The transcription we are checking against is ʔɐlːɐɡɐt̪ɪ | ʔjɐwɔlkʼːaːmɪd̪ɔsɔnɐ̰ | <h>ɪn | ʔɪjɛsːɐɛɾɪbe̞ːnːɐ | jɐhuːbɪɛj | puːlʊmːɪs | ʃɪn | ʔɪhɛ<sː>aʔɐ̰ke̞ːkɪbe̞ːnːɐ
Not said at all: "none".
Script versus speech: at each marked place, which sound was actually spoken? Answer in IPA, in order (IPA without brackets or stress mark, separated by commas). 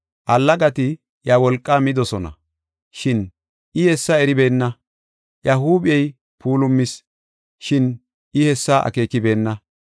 ʃ, sː